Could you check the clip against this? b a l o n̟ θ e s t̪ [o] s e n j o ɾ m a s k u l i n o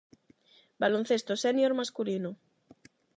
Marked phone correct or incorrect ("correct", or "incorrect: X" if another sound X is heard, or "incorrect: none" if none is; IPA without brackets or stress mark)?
correct